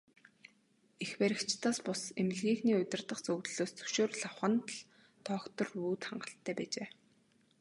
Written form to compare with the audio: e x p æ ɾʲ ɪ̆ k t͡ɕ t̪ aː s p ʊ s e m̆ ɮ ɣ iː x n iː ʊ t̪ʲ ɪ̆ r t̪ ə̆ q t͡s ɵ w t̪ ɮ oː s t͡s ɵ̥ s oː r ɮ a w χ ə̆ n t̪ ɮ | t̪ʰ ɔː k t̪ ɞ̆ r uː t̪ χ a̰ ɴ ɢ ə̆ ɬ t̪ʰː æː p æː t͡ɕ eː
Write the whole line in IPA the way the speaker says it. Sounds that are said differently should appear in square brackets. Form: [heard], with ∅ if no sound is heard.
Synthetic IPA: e x p æ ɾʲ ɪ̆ k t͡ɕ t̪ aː s p ʊ s e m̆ ɮ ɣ iː x n iː ʊ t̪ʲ ɪ̆ r t̪ ə̆ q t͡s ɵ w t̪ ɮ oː s t͡s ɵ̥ [ʃ] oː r ɮ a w χ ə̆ n t̪ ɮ | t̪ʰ ɔː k t̪ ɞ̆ r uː t̪ χ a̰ ɴ ɢ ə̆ ɬ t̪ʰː æː p æː t͡ɕ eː